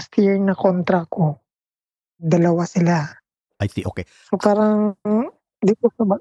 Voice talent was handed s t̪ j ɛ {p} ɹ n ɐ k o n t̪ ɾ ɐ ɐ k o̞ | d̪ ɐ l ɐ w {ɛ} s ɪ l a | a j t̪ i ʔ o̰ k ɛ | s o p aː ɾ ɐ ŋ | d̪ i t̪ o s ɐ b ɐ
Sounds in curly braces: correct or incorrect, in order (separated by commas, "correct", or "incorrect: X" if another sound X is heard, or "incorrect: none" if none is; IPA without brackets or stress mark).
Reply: incorrect: none, incorrect: a